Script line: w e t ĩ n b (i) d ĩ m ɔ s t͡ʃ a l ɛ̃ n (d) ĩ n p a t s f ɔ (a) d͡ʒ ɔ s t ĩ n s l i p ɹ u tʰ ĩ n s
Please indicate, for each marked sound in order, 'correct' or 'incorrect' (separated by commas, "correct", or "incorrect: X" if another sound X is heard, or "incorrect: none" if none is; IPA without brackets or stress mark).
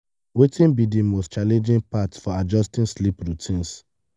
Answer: correct, incorrect: d͡ʒ, correct